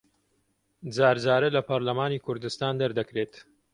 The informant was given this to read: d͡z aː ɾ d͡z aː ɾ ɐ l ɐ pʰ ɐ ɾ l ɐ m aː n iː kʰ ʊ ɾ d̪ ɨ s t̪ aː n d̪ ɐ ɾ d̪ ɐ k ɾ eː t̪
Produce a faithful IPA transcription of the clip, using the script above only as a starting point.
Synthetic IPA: d͡z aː ɾ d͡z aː ɾ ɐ l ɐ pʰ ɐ ɾ l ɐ m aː n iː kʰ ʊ ɾ d̪ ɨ s t̪ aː n d̪ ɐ ɾ d̪ ɐ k ɾ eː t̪